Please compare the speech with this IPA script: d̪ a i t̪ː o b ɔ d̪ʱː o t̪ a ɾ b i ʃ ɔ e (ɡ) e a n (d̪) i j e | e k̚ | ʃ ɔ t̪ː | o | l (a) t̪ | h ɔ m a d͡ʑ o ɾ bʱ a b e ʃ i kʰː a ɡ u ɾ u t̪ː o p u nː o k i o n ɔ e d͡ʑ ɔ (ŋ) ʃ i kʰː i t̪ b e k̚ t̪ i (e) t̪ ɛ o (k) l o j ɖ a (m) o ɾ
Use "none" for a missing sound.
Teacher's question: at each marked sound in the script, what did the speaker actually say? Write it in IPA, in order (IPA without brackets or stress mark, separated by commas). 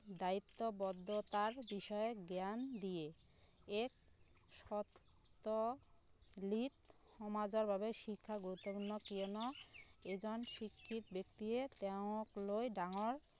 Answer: ɡ, d̪, i, n, e, k, ŋ